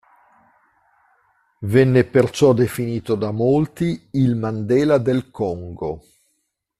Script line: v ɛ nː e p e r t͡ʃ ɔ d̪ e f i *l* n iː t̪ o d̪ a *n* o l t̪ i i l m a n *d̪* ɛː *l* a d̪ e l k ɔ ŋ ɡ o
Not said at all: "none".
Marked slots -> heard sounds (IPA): none, m, d̪, l

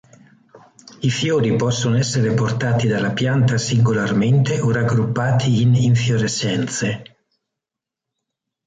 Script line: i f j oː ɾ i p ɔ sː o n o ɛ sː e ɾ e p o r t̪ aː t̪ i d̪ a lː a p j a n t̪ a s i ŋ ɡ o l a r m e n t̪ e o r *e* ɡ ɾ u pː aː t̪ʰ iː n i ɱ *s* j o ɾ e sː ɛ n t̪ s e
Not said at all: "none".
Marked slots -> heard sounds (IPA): a, f

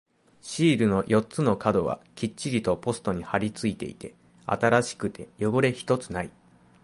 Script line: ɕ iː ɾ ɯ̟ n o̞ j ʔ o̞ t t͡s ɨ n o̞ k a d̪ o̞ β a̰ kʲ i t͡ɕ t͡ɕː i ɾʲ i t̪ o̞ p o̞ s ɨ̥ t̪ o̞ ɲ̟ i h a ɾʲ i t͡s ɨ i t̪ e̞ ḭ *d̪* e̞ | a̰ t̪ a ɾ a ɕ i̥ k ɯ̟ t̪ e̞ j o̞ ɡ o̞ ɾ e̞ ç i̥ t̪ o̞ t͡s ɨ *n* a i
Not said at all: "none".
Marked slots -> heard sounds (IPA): t̪, n

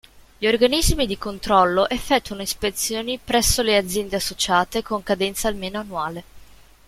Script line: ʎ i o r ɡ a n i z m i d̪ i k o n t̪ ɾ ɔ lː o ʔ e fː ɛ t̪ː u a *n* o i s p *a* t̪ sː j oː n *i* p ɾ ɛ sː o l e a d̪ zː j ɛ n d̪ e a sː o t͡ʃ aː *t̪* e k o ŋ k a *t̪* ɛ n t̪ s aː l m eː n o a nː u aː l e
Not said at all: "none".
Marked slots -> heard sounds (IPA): n, e, i, t̪, d̪

